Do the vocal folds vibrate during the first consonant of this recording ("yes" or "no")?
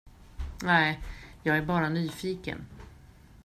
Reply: yes